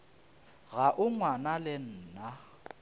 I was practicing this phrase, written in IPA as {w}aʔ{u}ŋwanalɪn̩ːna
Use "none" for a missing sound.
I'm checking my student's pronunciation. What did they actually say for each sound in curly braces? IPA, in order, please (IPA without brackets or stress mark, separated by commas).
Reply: ɣ, ʊ